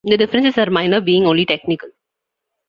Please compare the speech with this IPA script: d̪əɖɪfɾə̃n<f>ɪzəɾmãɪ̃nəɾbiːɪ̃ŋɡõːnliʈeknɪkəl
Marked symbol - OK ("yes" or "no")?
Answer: no